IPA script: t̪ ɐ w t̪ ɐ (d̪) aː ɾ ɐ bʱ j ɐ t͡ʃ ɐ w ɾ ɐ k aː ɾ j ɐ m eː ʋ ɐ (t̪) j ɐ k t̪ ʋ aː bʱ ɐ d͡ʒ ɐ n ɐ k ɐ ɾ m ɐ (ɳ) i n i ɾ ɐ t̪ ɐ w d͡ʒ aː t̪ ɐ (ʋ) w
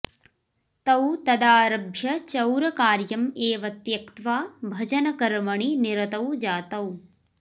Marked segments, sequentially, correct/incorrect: correct, correct, correct, incorrect: none

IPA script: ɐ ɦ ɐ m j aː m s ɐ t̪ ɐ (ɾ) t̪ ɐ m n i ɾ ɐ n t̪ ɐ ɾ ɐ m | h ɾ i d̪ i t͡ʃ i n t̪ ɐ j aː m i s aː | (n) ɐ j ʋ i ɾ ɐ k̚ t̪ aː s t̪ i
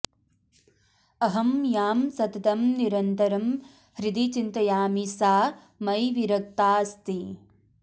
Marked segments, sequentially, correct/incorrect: incorrect: none, incorrect: m

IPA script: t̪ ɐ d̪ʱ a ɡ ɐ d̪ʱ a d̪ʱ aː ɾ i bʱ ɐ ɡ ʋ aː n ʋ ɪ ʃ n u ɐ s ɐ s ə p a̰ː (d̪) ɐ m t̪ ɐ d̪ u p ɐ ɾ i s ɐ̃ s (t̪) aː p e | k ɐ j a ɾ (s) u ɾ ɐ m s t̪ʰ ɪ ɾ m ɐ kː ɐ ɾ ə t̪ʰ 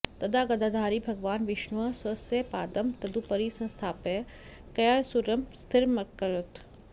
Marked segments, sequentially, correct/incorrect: correct, incorrect: t̪ʰ, correct

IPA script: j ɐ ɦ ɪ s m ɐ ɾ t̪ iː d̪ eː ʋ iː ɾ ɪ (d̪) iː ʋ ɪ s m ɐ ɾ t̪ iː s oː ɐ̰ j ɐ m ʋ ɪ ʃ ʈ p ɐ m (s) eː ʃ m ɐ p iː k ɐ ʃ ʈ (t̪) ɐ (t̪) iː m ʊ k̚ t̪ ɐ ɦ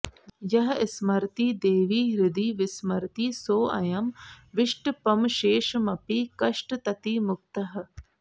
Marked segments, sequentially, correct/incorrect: correct, incorrect: ʃ, correct, correct

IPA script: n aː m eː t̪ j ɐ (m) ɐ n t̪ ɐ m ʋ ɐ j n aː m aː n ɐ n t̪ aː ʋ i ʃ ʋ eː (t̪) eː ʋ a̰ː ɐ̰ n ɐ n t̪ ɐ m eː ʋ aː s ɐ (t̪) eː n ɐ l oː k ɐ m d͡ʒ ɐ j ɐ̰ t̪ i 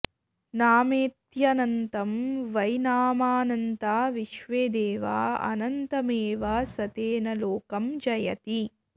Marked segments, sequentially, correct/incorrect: incorrect: n, incorrect: d̪, correct

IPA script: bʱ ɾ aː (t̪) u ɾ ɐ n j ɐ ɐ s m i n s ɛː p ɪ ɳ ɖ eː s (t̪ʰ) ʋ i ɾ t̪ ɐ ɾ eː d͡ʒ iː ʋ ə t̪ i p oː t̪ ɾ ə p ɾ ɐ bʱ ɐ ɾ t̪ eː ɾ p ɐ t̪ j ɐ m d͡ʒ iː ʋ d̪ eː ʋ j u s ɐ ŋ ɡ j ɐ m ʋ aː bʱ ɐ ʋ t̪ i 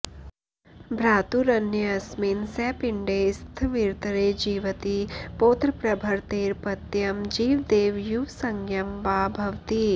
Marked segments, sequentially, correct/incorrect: correct, correct

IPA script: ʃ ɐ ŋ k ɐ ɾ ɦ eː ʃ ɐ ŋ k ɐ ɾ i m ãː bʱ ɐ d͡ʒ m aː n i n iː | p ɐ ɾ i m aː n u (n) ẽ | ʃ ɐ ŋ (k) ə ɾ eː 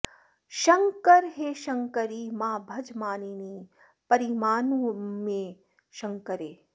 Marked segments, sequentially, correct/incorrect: incorrect: m, correct

